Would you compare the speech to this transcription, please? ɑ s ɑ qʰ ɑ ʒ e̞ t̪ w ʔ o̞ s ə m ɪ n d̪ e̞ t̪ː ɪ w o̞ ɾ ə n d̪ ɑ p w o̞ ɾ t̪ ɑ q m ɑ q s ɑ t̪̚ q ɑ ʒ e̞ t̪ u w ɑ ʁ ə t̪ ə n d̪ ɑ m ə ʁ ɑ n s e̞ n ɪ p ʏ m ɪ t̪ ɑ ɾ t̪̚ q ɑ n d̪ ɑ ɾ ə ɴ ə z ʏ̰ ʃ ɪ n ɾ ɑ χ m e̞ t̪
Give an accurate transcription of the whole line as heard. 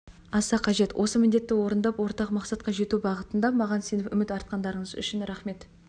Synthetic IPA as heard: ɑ s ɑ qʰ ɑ ʒ e̞ t̪ w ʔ o̞ s ə m ɪ n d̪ e̞ t̪ː ɪ w o̞ ɾ ə n d̪ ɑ p w o̞ ɾ t̪ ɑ q m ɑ q s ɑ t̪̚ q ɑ ʒ e̞ t̪ u b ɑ ʁ ə t̪ ə n d̪ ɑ m ɑ ʁ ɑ n s e̞ n ɪ p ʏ m ɪ t̪ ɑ ɾ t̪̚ q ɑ n d̪ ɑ ɾ ə ɴ ə z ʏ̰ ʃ ɪ n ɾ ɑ χ m e̞ t̪